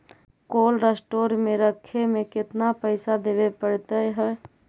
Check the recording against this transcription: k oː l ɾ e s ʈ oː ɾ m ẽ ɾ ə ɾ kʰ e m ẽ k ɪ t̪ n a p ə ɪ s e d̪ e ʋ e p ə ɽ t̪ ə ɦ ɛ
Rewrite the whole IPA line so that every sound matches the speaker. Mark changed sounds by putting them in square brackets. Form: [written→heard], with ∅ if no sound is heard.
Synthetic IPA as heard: k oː l ɾ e s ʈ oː ɾ m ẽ ɾ ə [ɾ→∅] kʰ e m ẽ k ɪ t̪ n a p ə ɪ s [e→a] d̪ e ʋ e p ə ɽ t̪ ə ɦ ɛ